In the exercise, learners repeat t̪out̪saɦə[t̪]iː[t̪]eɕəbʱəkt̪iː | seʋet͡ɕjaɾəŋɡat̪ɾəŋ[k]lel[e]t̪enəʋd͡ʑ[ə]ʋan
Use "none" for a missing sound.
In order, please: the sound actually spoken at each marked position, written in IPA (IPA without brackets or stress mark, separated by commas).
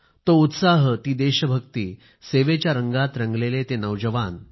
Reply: t̪, d̪, ɡ, e, ə